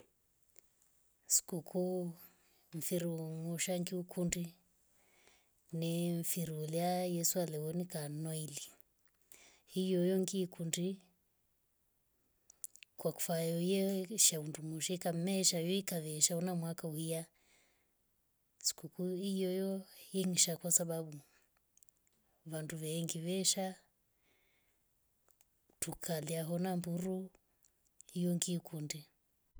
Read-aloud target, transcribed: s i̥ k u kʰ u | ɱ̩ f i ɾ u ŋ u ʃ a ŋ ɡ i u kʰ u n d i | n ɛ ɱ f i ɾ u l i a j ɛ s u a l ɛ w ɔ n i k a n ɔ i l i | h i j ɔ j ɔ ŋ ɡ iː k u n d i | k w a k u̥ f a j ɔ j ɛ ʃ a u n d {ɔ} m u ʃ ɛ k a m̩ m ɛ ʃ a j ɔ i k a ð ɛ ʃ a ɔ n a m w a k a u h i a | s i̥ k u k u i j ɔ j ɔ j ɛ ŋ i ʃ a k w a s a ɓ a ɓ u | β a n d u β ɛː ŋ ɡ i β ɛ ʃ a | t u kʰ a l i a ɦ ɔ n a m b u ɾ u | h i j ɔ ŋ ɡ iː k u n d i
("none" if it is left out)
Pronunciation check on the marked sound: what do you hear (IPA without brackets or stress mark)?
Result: u